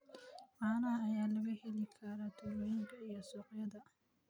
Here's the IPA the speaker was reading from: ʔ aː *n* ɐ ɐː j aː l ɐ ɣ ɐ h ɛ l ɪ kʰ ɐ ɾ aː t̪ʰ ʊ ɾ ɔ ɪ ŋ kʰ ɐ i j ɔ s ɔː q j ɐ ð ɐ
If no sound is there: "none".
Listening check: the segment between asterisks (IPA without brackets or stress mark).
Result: n